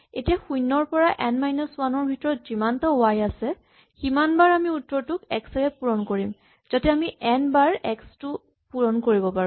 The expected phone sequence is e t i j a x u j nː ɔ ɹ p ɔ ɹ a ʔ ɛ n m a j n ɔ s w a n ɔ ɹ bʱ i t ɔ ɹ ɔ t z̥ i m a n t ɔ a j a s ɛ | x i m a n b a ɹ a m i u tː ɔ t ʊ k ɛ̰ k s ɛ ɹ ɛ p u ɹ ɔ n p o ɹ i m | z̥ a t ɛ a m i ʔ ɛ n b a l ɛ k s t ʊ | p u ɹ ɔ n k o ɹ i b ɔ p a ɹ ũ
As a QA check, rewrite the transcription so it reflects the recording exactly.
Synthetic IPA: e t i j a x u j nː ɔ ɹ p ɔ ɹ a ʔ ɛ n m a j n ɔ s w a n ɔ ɹ bʱ i t ɔ ɹ ɔ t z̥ i m a n t ɔ a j a s ɛ | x i m a n b a ɹ a m i u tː ɔ t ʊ k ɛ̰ k s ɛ ɹ ɛ p u ɹ ɔ n k o ɹ i m | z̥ a t ɛ a m i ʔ ɛ n b a ɹ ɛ k s t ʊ | p u ɹ ɔ n k o ɹ i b ɔ p a ɹ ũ

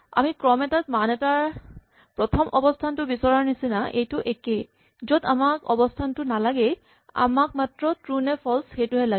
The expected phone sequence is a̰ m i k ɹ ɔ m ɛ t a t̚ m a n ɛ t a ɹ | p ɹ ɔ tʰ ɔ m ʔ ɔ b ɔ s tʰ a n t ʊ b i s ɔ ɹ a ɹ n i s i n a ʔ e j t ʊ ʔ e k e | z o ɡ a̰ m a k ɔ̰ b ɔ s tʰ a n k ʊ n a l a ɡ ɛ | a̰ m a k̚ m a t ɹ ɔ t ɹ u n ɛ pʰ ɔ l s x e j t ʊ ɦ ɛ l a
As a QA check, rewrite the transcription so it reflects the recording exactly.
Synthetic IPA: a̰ m i k ɹ ɔ m ɛ t a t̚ m a n ɛ t a ɹ | p ɹ ɔ tʰ ɔ m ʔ ɔ b ɔ s tʰ a n t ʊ b i s ɔ ɹ a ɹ n i s i n a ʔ e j t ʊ ʔ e k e | z o d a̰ m a k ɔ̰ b ɔ s tʰ a n t ʊ n a l a ɡ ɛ | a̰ m a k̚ m a t ɹ ɔ t ɹ u n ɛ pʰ ɔ l s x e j t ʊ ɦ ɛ l a

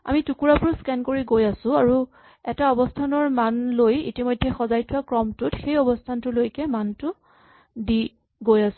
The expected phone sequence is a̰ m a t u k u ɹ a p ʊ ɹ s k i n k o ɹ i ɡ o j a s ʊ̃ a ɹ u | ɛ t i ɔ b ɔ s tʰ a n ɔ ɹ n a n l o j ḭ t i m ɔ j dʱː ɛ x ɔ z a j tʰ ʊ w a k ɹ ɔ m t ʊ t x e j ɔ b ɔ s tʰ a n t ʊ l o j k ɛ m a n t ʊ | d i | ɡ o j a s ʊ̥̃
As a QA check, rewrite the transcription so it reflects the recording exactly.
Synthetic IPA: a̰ m i t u k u ɹ a p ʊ ɹ s k ɛ n k o ɹ i ɡ o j a s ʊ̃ a ɹ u | ɛ t a ɔ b ɔ s tʰ a n ɔ ɹ m a n l o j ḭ t i m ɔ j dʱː ɛ x ɔ z a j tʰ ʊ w a k ɹ ɔ m t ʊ t x e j ɔ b ɔ s tʰ a n t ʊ l o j k ɛ m a n t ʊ | d i | ɡ o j a s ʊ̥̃

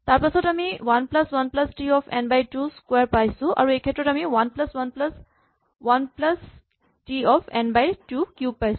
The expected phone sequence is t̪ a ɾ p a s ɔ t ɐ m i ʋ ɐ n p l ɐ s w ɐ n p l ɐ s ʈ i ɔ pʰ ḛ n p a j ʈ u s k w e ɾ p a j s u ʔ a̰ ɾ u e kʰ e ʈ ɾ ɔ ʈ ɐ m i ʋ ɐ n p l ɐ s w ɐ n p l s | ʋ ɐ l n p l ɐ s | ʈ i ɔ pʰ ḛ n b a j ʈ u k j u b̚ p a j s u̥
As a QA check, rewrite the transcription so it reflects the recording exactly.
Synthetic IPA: t̪ a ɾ p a s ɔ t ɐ m i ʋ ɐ n p l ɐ s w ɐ n p l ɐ s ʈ i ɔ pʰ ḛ n b a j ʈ u s k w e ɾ p a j s u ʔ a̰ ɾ u e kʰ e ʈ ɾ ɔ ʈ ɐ m i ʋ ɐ n p l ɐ s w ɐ n p l s | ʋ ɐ n p l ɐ s | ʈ i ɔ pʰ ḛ n b a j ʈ u k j u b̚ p a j s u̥

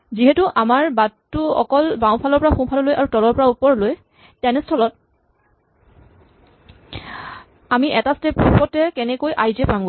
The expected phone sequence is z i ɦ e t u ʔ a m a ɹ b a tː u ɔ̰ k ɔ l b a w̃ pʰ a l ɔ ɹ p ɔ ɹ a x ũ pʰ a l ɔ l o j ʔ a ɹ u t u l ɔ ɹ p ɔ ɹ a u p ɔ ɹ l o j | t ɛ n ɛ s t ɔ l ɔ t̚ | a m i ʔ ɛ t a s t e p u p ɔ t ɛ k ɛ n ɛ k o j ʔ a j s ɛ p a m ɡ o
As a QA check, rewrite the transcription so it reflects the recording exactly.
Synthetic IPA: z i ɦ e t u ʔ a m a ɹ b a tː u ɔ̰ k ɔ l b a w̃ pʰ a l ɔ ɹ p ɔ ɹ a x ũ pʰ a l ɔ l o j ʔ a ɹ u t ɔ l ɔ ɹ p ɔ ɹ a u p ɔ ɹ l o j | t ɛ n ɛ s tʰ ɔ l ɔ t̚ | a m i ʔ ɛ t a s t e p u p ɔ t ɛ k ɛ n ɛ k o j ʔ a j z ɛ p a m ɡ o

